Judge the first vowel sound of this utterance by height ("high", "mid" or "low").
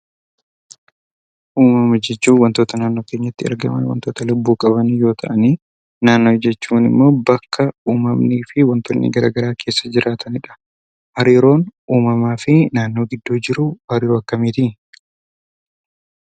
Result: high